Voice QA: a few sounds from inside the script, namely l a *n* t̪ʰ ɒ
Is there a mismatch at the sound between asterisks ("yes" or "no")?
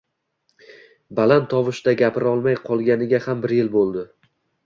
no